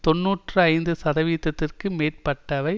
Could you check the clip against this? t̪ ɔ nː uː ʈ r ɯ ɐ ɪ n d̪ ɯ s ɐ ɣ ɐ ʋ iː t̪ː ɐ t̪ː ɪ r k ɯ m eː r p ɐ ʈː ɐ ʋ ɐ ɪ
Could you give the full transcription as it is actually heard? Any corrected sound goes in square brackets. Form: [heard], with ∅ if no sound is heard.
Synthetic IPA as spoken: t̪ ɔ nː uː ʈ r ɯ ɐ ɪ n d̪ ɯ s ɐ [ð] ɐ ʋ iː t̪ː ɐ t̪ː ɪ r k ɯ m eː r p ɐ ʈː ɐ ʋ ɐ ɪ